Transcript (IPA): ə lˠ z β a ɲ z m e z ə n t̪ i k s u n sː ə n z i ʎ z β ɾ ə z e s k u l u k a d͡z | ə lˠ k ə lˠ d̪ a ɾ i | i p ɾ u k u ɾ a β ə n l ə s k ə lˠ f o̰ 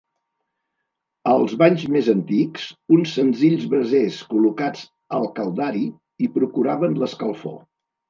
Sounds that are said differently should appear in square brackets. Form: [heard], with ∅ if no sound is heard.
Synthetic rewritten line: ə lˠ z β a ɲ z m e z ə n t̪ i k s u n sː ə n z i ʎ z β ɾ ə z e s k u l u k a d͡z | ə lˠ k ə lˠ d̪ a ɾ i | i p ɾ u k u ɾ a β ə n l ə s k ə lˠ f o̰